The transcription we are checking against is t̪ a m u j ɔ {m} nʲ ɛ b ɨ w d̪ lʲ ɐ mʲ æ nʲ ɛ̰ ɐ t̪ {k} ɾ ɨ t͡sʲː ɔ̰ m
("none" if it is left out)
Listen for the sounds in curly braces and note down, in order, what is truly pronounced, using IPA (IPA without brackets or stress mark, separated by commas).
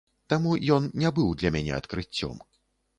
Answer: n, k